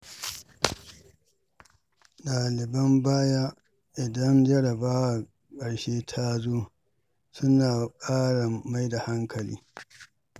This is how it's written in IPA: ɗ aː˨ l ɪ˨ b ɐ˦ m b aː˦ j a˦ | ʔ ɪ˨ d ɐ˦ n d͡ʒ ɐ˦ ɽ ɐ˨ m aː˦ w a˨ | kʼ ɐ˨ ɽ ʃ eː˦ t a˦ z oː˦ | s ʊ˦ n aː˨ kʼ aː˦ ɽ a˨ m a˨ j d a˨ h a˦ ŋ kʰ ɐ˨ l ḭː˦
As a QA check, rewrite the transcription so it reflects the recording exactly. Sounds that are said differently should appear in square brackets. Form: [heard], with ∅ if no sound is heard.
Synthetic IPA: ɗ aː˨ l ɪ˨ b ɐ˦ m b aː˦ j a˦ | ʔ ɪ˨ d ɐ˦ n d͡ʒ ɐ˦ ɽ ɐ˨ [b] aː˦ w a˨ | kʼ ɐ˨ ɽ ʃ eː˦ [tʰ] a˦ z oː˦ | s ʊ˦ n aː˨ kʼ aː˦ ɽ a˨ m [a˦] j d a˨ h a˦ ŋ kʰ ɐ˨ l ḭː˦